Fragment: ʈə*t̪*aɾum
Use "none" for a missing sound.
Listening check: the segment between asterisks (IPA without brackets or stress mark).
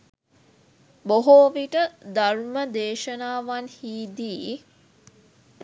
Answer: d̪